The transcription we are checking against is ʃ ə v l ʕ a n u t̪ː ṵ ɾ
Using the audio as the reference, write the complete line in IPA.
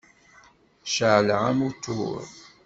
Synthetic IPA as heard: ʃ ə ʕ l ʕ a m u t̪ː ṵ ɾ